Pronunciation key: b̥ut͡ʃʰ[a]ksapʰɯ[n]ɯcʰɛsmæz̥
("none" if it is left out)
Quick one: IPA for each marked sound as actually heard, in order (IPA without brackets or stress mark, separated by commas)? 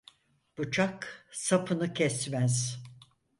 a, n